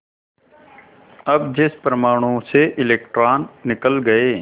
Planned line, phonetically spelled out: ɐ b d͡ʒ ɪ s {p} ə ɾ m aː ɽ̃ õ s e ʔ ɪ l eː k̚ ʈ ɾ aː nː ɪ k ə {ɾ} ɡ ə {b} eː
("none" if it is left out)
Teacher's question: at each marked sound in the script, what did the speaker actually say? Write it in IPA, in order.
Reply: p, l, none

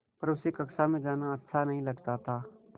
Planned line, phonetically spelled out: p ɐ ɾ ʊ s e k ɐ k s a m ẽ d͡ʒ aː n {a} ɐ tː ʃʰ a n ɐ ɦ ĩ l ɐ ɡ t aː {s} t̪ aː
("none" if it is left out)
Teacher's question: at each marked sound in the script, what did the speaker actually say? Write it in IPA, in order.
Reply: a, none

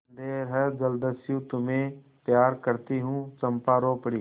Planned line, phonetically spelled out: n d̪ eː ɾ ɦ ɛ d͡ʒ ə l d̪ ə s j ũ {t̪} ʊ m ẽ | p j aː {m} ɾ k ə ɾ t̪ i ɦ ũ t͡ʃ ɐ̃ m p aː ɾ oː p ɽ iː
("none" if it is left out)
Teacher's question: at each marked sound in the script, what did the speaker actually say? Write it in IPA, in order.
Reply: t̪, none

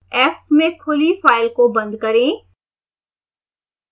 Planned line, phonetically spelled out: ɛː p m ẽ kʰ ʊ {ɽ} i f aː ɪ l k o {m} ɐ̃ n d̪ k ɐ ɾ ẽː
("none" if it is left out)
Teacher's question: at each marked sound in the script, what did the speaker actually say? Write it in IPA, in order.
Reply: l, b

